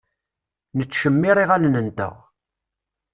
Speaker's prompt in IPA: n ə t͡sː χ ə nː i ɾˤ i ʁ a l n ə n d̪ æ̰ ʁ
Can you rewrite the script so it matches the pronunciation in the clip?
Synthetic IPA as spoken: n ə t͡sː ʃ ə mː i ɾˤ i ʁ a l n ə n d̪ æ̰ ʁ